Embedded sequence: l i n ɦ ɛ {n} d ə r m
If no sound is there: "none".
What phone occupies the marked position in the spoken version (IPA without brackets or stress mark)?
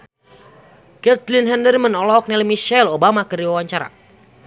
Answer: n